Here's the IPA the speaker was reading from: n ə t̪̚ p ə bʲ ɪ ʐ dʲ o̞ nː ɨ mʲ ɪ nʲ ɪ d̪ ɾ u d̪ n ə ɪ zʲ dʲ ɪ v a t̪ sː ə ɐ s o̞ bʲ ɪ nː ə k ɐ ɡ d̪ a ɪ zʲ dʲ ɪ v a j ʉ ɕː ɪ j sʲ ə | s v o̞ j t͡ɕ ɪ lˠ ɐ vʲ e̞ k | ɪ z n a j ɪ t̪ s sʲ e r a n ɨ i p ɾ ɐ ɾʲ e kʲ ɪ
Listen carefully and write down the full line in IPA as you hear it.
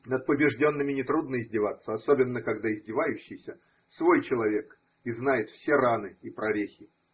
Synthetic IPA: n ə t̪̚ p ə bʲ ɪ ʐ dʲ o̞ nː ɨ mʲ ɪ nʲ ɪ t̪ ɾ u d̪ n ə ɪ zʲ dʲ ɪ v a t̪ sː ə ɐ s o̞ bʲ ɪ nː ə k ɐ ɡ d̪ a ɪ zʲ dʲ ɪ v a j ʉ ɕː ɪ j sʲ ə | s v o̞ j t͡ɕ ɪ lˠ ɐ vʲ e̞ k | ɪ z n a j ɪ t̪ f sʲ e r a n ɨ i p ɾ ɐ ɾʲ e xʲ ɪ